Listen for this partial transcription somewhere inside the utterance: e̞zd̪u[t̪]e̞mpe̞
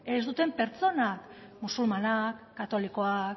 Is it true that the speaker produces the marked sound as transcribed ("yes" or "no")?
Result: yes